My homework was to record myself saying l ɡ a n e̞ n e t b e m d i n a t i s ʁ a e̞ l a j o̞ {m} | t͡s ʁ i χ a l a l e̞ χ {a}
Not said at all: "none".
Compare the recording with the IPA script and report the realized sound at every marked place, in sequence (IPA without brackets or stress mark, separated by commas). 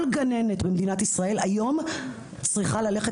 m, e